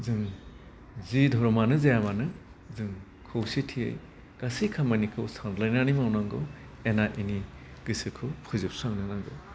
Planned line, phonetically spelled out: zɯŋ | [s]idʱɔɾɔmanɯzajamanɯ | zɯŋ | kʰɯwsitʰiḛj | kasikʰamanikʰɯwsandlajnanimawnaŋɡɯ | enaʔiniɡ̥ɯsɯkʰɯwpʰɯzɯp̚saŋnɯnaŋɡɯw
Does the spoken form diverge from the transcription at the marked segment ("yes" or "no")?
yes